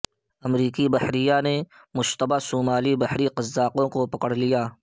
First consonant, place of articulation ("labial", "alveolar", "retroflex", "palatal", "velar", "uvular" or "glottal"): labial